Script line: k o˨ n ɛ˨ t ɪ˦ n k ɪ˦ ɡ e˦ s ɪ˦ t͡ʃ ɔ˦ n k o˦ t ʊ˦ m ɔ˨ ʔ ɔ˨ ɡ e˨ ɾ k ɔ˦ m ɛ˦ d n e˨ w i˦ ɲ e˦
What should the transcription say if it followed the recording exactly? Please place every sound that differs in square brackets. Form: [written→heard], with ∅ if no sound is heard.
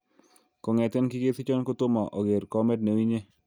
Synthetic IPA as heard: k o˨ [n→ŋ] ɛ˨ t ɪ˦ n k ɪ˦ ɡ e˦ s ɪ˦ t͡ʃ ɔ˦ n k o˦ t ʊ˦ m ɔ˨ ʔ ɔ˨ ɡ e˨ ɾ k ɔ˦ m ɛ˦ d n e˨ w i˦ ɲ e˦